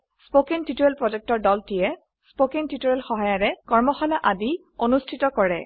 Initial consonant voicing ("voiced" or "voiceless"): voiceless